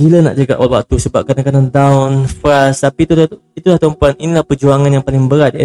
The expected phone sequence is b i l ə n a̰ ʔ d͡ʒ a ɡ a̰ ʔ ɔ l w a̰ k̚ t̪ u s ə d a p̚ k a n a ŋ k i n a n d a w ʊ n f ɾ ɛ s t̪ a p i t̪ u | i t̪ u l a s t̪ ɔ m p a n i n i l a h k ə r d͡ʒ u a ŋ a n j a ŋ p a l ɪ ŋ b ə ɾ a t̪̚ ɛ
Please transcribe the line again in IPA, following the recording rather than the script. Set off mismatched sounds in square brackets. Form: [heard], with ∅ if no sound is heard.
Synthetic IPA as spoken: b i l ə n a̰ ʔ d͡ʒ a ɡ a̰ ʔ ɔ l w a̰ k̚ t̪ u s ə [b] a p̚ k a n a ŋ k [a] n a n d a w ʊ n f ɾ [a] s t̪ a p i t̪ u | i t̪ u l a [h] t̪ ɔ m p a n i n i l a h [p] ə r d͡ʒ u a ŋ a n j a ŋ p a l ɪ ŋ b ə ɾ a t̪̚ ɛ